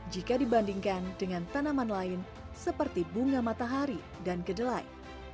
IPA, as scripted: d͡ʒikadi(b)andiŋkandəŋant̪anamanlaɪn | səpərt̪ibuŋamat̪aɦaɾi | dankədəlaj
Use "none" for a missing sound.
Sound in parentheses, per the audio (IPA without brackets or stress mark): b